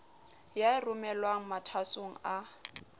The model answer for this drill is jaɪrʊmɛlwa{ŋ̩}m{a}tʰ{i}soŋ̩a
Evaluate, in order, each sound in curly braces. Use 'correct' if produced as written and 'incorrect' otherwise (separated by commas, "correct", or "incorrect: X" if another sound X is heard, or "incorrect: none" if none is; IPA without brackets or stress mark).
correct, correct, incorrect: a